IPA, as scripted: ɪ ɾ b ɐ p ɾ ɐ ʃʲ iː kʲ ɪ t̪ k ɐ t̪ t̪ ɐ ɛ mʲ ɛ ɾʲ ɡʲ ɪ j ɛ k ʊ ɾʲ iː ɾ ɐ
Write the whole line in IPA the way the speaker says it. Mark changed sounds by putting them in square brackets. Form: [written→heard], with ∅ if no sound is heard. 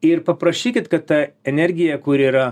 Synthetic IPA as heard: ɪ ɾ [b→p] ɐ p ɾ ɐ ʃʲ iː kʲ ɪ t̪ k ɐ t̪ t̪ ɐ ɛ [mʲ→nʲ] ɛ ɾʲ ɡʲ ɪ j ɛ k ʊ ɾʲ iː ɾ ɐ